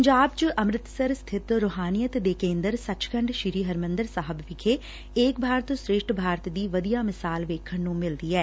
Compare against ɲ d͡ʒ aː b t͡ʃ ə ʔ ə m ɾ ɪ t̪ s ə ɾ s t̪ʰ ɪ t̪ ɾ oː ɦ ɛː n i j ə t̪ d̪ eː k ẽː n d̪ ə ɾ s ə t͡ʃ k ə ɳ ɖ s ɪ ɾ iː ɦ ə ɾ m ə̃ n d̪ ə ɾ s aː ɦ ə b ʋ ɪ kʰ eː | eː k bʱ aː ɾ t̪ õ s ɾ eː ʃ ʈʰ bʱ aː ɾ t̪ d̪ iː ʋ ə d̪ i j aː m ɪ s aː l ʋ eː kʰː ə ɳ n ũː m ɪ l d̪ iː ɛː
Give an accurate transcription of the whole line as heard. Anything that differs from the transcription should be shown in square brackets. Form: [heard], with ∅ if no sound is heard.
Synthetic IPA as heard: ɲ d͡ʒ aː b t͡ʃ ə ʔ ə m ɾ ɪ t̪ s ə ɾ s t̪ʰ ɪ t̪ ɾ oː ɦ [aː] n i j ə t̪ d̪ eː k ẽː n d̪ ə ɾ s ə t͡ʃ k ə ɳ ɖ [ʃ] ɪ ɾ iː ɦ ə ɾ m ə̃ n d̪ ə ɾ s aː ɦ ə b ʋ ɪ kʰ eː | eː k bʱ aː ɾ t̪ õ s ɾ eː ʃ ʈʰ bʱ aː ɾ t̪ d̪ iː ʋ ə d̪ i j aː m ɪ s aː l ʋ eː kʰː ə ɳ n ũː m ɪ l d̪ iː ɛː

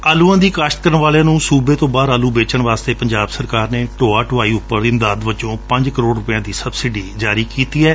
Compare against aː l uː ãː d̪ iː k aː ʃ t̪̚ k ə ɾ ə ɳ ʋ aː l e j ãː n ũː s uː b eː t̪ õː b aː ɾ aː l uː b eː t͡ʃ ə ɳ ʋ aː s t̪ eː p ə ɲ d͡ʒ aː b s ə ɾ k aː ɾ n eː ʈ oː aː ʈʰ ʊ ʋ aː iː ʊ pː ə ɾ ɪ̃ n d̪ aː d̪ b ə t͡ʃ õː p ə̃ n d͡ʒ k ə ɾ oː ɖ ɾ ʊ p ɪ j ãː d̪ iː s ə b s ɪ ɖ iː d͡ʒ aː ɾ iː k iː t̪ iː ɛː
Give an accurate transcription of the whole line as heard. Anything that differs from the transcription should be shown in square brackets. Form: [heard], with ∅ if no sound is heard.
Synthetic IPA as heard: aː l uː ãː d̪ iː k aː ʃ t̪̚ k ə ɾ ə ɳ ʋ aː l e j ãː n ũː s uː b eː t̪ õː b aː ɾ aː l uː b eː t͡ʃ ə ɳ ʋ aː s t̪ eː p ə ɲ d͡ʒ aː b s ə ɾ k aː ɾ n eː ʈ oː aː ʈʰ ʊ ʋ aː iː ʊ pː ə ɾ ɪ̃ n d̪ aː d̪ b ə t͡ʃ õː p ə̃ [ɲ] d͡ʒ k ə ɾ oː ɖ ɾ ʊ p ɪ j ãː d̪ iː s ə b s ɪ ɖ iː d͡ʒ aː ɾ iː k iː t̪ iː ɛː

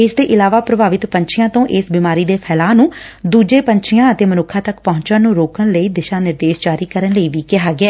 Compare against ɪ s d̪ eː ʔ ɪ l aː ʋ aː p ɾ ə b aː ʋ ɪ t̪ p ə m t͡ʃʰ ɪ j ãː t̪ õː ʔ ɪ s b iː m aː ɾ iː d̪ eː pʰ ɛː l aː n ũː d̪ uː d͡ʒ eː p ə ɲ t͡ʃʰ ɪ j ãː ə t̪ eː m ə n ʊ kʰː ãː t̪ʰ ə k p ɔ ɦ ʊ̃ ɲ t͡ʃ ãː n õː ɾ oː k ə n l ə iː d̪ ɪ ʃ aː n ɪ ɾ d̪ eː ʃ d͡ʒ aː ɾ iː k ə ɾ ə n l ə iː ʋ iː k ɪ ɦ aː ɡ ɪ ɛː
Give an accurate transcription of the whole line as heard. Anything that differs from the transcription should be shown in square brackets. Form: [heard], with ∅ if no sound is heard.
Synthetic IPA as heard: ɪ s d̪ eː ʔ ɪ l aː ʋ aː p ɾ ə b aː ʋ ɪ t̪ p ə [ɲ] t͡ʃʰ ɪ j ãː t̪ õː ʔ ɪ s b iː m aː ɾ iː d̪ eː pʰ ɛː l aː n ũː d̪ uː d͡ʒ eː p ə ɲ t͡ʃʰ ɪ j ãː ə t̪ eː m ə n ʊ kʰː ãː [t̪] ə k p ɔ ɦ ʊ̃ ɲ t͡ʃ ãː n [ũː] ɾ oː k ə n l ə iː d̪ ɪ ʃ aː n ɪ ɾ d̪ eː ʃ d͡ʒ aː ɾ iː k ə ɾ ə n l ə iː ʋ iː k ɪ ɦ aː ɡ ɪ ɛː

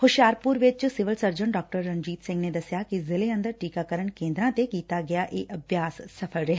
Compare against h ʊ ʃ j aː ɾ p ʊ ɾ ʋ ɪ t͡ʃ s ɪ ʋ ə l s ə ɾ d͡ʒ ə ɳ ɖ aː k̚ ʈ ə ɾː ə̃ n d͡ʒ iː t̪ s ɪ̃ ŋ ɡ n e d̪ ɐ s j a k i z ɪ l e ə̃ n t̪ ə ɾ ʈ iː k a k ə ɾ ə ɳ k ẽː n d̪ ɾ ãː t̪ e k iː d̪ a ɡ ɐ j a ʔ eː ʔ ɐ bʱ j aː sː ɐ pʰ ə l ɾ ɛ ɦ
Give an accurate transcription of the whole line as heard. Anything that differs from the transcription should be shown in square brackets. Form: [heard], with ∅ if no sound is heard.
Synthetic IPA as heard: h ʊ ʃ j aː ɾ p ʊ ɾ ʋ ɪ t͡ʃ s ɪ ʋ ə l s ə ɾ d͡ʒ ə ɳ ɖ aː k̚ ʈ ə ɾː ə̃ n d͡ʒ iː t̪ s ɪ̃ ŋ ɡ n e d̪ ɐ s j a k i z ɪ l e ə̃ n [d̪] ə ɾ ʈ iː k a k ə ɾ ə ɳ k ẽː n d̪ ɾ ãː t̪ e k iː [t̪] a ɡ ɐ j a ʔ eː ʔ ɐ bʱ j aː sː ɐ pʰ ə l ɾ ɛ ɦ

